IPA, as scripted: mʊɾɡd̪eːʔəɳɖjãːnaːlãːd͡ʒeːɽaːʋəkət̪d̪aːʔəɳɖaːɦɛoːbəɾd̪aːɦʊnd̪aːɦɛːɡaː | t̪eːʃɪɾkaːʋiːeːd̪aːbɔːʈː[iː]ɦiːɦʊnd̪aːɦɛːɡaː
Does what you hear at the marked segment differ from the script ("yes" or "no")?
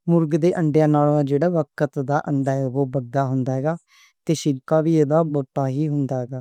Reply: yes